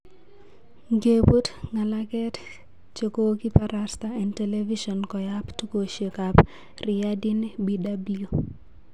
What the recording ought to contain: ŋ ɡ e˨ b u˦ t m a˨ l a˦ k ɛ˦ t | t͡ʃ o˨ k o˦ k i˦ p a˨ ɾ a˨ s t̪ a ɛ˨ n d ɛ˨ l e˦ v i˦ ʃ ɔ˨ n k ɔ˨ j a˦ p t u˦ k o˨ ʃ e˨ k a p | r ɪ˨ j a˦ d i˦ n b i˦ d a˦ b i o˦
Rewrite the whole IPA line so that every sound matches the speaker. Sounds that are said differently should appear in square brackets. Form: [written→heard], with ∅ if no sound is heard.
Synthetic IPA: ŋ ɡ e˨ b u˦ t [m→ŋ] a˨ l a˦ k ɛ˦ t | t͡ʃ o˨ k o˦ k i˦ p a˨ ɾ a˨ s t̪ a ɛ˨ n [d→t] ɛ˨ l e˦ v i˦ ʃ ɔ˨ n k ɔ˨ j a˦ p t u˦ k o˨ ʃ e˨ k a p | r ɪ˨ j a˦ d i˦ n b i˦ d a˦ b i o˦